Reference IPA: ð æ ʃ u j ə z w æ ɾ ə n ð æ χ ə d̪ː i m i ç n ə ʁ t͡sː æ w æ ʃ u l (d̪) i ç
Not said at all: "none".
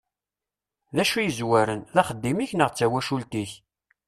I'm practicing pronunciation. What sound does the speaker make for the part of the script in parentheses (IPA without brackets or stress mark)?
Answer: t̪